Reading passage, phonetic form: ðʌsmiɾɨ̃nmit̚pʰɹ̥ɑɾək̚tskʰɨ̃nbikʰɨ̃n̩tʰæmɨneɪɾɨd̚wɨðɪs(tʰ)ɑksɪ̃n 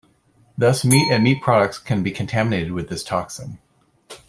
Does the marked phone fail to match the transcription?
no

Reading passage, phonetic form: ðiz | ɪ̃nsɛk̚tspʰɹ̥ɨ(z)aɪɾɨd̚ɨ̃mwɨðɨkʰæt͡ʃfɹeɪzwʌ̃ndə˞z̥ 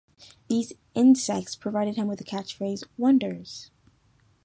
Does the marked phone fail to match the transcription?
yes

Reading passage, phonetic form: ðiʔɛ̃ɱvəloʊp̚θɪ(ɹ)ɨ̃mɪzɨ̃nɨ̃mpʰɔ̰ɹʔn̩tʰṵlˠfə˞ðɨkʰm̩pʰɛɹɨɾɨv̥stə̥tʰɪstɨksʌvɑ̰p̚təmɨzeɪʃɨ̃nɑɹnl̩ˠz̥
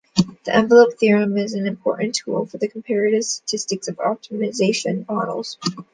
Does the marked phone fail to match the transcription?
no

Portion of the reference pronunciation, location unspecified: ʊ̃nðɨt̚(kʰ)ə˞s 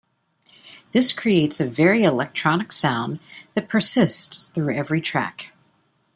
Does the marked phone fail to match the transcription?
yes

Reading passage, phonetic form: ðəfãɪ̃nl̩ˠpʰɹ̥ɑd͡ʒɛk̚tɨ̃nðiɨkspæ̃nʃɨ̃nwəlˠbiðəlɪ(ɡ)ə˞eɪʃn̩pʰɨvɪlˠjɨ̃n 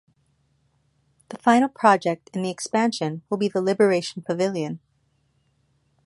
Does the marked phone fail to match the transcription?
yes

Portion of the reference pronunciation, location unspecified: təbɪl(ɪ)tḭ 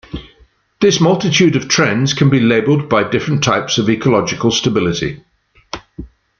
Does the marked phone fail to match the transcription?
no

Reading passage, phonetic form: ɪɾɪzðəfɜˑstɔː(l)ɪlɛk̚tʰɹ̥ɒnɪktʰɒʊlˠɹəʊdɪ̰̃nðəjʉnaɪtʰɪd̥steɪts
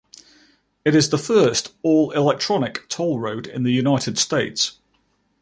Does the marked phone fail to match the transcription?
no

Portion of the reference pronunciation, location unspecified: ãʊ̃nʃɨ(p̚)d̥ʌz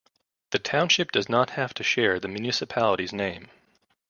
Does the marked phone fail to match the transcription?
no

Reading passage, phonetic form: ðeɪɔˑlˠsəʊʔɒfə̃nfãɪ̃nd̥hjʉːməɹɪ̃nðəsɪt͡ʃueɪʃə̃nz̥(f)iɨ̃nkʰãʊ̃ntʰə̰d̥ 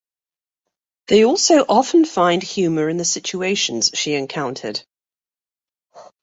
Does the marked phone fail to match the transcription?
yes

